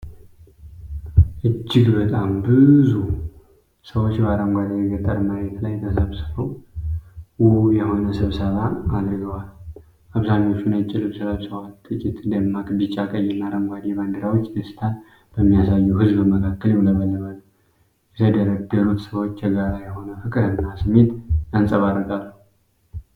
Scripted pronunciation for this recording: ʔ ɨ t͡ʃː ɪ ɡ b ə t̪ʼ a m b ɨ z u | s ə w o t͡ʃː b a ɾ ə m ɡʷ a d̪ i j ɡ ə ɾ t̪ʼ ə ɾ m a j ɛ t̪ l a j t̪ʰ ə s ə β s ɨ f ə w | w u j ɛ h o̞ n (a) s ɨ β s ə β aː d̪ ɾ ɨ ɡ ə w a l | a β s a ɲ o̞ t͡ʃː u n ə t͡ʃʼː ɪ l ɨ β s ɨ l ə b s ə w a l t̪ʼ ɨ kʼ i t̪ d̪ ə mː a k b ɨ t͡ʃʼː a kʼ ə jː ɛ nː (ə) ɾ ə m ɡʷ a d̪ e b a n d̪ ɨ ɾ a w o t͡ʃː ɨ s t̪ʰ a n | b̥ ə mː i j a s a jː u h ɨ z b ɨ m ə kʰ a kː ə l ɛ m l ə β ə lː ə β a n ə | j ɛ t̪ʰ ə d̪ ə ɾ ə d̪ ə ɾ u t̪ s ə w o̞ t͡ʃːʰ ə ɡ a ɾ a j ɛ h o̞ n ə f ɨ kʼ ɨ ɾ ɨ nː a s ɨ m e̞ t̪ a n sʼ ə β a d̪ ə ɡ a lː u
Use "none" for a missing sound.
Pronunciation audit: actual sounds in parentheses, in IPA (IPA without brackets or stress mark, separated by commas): ə, a